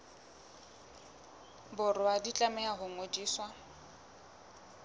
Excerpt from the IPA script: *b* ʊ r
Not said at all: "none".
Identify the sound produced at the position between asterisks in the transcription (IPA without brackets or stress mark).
b